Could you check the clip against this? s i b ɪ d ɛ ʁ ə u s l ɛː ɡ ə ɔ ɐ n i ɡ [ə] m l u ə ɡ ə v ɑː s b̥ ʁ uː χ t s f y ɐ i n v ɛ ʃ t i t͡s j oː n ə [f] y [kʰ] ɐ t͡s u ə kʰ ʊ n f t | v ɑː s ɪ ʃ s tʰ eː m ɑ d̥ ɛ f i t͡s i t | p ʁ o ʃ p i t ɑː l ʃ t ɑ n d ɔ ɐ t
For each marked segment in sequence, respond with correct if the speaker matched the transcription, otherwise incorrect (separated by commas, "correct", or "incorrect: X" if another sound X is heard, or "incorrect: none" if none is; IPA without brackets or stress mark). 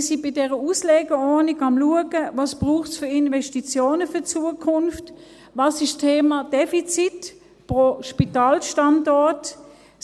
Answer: incorrect: ɑ, correct, incorrect: none